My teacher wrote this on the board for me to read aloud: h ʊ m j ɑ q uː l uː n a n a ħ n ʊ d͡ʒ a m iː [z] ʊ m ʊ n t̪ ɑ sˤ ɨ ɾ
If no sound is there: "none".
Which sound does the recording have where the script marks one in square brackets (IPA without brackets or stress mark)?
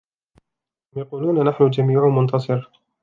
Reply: ʕ